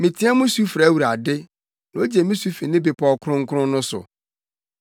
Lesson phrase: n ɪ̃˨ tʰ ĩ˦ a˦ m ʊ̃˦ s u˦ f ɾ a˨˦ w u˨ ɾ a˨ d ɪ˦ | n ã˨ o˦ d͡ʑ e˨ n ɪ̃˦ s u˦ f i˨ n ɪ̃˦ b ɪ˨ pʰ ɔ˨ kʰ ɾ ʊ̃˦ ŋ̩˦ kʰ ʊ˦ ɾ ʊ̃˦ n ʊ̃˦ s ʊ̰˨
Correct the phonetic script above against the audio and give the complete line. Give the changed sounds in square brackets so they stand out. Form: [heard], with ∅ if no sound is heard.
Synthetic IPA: [m] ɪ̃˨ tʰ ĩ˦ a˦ m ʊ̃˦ s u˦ f ɾ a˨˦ w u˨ ɾ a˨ d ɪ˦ | n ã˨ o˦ d͡ʑ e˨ [m] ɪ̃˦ s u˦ f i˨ n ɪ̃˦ b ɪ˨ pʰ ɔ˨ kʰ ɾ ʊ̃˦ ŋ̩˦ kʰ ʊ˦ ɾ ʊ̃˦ n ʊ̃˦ s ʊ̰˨